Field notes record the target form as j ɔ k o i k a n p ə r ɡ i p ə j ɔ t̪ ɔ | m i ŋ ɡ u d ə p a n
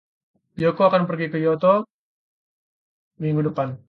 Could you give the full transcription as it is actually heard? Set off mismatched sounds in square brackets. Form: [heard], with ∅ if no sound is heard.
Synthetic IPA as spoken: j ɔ k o [a] k a n p ə r ɡ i [k] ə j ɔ t̪ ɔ | m i ŋ ɡ u d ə p a n